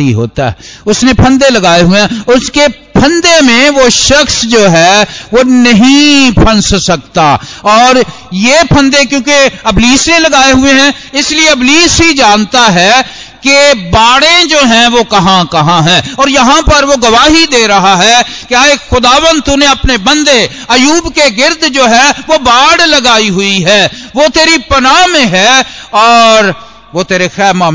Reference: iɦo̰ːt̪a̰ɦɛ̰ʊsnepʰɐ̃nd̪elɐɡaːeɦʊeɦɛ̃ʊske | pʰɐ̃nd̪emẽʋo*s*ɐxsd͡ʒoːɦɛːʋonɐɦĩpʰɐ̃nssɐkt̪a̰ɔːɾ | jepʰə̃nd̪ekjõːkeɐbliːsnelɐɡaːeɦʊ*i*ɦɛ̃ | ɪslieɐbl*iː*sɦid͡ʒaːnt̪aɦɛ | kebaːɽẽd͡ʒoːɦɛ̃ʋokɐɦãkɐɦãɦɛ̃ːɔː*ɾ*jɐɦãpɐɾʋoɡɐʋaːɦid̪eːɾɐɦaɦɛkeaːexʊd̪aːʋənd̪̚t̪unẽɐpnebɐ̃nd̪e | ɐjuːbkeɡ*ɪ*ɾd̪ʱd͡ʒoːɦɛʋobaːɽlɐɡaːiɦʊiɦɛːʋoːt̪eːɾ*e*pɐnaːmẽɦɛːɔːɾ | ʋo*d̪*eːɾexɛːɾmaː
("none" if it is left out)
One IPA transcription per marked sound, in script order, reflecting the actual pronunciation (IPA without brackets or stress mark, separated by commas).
ʃ, e, iː, ɾ, ɪ, i, t̪